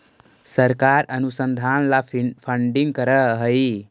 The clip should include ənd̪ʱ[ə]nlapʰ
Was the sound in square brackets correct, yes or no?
no